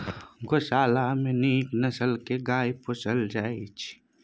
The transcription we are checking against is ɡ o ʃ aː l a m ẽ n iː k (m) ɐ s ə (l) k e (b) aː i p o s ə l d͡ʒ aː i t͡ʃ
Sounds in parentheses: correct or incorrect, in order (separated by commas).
incorrect, correct, incorrect